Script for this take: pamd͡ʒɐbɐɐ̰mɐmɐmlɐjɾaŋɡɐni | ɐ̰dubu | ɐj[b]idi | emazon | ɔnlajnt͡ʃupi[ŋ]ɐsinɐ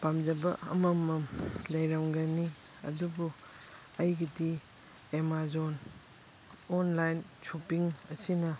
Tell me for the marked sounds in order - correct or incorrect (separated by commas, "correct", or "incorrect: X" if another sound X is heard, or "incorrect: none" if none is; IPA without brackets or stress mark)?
incorrect: ɡ, correct